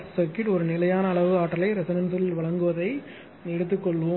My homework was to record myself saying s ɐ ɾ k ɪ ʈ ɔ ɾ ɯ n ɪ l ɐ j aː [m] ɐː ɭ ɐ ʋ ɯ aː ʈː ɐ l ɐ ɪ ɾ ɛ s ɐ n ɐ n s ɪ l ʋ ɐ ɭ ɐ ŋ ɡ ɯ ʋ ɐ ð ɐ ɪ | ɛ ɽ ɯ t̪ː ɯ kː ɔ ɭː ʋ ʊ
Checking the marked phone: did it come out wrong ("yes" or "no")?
yes